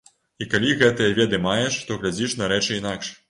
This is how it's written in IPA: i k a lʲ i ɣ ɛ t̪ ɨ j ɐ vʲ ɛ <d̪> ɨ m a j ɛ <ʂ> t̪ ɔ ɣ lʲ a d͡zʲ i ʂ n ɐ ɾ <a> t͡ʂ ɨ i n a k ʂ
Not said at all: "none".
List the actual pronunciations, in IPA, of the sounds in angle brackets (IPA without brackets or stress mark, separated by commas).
d̪, ʂ, ɛ